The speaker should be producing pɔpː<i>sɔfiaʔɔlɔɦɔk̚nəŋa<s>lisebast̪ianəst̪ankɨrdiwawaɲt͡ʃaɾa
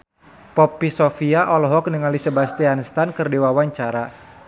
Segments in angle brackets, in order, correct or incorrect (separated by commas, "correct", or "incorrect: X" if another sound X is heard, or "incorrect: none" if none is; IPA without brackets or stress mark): correct, incorrect: none